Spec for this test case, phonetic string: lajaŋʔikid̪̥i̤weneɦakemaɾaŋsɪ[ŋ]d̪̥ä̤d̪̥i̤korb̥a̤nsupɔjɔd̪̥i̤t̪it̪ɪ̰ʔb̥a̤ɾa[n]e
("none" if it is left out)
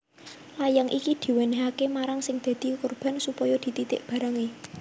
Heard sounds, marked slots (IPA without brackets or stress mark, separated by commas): ŋ, ŋ